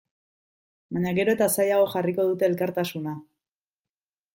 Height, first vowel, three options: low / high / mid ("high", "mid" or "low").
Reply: low